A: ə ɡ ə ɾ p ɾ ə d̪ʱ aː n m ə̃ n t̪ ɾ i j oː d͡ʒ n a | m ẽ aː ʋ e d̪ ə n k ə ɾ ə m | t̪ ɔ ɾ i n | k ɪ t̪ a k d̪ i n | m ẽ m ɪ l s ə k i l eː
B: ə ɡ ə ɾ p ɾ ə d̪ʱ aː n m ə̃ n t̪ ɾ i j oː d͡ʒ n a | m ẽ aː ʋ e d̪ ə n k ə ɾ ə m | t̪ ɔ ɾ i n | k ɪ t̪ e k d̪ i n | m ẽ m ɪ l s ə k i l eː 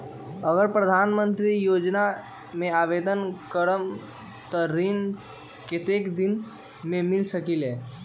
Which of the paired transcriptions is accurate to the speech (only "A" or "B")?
B